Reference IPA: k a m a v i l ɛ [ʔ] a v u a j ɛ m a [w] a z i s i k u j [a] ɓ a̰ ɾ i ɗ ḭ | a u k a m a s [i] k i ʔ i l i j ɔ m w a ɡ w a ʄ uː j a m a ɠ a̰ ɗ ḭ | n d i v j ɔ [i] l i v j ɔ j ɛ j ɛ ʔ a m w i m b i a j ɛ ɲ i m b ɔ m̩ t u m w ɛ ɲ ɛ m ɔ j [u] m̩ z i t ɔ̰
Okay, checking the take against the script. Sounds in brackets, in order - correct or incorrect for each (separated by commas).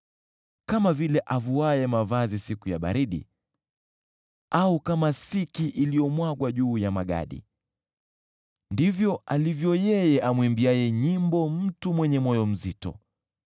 correct, incorrect, correct, correct, incorrect, incorrect